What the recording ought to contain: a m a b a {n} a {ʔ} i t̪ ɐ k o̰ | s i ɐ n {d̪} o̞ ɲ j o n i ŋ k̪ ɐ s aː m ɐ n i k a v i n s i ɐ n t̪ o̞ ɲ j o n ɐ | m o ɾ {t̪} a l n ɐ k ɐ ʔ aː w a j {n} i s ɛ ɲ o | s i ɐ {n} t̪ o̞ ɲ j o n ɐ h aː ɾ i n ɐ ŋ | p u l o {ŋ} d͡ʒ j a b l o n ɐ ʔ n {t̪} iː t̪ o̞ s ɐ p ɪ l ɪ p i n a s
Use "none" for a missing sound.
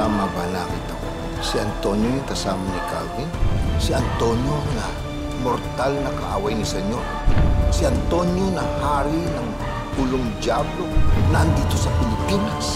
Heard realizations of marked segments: n, k, t̪, t̪, n, n, ŋ, d̪

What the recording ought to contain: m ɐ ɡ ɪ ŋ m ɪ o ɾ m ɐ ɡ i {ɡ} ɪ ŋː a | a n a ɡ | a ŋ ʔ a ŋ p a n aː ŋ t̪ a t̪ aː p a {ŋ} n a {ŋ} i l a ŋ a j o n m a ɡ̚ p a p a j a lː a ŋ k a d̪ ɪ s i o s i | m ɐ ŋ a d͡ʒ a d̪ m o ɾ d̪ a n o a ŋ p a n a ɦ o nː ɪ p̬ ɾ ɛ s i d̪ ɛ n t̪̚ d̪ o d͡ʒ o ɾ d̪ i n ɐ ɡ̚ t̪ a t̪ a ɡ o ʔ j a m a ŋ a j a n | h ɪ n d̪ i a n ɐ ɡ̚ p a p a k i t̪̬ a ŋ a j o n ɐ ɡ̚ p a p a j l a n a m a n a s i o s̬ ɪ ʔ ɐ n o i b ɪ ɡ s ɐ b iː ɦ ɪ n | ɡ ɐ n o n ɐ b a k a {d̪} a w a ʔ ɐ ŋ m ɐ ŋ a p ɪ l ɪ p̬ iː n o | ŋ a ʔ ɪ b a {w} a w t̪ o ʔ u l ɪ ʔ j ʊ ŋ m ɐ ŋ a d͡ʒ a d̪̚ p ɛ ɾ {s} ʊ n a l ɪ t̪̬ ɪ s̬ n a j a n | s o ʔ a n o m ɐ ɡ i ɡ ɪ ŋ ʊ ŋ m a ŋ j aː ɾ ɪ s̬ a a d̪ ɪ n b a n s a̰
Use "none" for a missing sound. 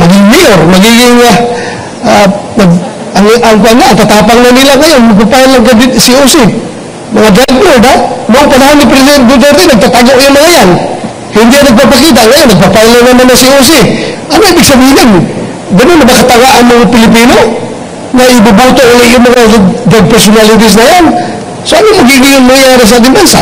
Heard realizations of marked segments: ɡ, ŋ, n, t̪, b, s

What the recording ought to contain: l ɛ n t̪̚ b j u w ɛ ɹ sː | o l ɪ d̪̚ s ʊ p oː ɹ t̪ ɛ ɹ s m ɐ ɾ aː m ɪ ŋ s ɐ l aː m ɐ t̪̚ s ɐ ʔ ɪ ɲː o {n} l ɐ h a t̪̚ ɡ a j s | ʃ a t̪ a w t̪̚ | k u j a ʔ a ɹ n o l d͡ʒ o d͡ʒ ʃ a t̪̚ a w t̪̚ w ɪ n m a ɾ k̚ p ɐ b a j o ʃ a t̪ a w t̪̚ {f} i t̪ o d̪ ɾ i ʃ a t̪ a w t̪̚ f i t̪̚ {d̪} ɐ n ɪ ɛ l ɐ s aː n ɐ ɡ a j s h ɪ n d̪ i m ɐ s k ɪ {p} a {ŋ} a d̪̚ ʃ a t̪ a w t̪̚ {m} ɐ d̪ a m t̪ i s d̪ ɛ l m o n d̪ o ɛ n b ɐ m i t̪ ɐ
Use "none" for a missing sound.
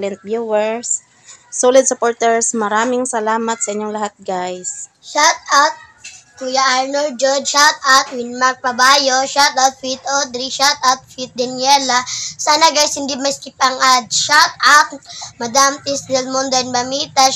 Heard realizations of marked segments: ŋ, f, d̪, p, ŋ, m

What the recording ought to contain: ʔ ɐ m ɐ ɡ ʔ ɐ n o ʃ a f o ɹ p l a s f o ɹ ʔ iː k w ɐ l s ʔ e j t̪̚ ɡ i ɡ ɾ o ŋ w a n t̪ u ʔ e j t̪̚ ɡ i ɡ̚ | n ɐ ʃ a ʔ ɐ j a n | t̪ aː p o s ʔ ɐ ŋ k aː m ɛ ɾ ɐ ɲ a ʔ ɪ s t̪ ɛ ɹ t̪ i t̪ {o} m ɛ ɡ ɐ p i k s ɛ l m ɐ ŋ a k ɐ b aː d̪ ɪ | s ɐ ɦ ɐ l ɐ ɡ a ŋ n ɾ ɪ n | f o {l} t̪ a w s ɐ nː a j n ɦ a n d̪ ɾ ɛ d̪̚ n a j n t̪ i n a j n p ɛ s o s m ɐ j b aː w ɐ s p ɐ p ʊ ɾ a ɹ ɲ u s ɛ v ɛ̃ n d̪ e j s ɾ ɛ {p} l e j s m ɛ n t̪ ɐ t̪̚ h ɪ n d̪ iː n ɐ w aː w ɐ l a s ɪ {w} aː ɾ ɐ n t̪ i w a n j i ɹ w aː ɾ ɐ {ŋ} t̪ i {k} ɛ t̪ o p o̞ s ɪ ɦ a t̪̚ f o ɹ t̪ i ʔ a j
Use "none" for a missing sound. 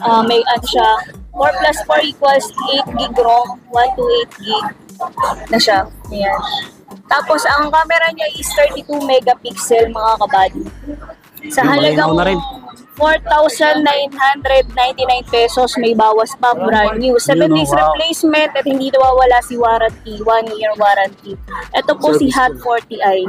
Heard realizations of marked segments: u, ɹ, p, w, n, ʔ

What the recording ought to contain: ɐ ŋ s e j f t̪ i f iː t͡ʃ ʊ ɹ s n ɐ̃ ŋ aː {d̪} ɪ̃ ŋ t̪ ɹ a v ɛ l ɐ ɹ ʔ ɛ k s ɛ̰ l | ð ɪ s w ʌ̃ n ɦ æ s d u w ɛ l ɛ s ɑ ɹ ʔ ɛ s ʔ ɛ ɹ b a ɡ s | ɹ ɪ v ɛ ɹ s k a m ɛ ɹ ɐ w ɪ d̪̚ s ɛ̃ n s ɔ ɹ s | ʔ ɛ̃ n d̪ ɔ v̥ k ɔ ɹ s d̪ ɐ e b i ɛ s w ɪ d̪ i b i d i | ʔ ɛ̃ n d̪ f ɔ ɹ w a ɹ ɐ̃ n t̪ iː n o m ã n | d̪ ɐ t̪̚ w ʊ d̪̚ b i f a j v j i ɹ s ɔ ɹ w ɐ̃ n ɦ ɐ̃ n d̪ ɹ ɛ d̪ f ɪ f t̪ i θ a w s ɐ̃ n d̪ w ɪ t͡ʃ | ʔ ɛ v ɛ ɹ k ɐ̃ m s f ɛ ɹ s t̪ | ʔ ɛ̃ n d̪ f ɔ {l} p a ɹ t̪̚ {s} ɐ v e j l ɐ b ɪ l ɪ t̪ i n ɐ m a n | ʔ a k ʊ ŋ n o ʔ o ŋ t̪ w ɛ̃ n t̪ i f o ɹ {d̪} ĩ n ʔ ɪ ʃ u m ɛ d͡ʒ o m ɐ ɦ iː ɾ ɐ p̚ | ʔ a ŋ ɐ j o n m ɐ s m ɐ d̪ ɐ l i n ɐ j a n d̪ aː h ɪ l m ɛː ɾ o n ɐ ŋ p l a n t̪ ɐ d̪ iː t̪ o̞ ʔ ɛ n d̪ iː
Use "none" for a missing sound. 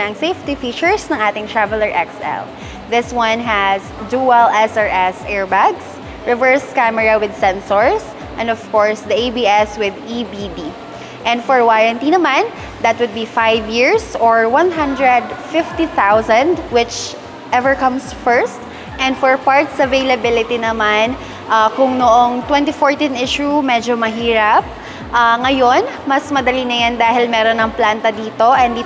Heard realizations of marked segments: t̪, ɹ, s, t̪

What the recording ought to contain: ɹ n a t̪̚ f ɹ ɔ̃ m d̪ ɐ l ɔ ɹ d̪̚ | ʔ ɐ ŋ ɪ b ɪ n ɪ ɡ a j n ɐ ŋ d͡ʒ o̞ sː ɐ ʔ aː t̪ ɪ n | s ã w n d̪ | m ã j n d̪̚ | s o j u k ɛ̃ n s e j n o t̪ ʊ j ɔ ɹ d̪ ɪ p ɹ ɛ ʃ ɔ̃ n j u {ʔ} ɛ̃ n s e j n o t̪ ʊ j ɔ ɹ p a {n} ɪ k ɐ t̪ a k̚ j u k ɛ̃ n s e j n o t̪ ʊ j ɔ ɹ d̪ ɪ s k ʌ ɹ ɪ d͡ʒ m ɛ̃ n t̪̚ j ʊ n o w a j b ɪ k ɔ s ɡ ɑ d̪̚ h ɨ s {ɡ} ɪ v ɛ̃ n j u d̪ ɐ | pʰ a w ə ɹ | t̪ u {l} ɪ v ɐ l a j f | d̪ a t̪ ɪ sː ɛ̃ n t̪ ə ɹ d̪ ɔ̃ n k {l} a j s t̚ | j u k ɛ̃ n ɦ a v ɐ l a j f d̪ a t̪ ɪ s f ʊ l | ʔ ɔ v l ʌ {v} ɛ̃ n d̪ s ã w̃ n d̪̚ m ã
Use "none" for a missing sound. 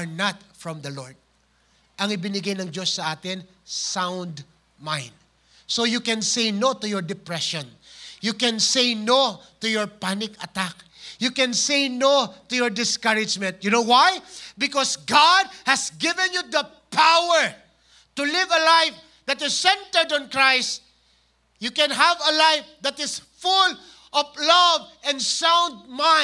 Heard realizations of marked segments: k, n, ɡ, l, ɹ, v

